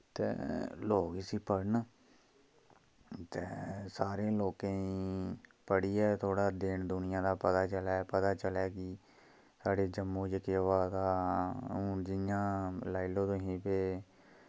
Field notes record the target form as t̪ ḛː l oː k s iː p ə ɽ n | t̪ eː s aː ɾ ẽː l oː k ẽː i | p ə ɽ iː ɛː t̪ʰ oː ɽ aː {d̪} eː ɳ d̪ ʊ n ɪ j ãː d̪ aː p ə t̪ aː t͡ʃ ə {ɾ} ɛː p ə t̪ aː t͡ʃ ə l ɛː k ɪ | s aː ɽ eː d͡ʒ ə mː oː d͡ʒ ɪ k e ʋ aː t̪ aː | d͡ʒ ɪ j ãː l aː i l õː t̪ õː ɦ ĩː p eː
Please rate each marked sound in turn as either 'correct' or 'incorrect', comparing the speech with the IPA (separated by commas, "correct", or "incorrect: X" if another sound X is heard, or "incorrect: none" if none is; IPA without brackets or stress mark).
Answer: correct, incorrect: l